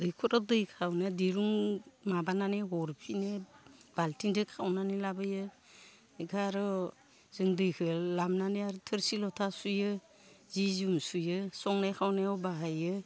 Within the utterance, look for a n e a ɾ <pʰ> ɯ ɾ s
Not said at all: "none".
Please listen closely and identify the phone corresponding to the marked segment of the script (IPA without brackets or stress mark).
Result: tʰ